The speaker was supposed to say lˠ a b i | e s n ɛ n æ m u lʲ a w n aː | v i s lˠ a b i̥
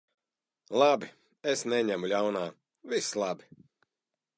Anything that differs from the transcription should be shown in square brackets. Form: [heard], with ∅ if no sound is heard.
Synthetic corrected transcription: lˠ a b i | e s n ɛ [ɲ] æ m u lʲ a w n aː | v i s lˠ a b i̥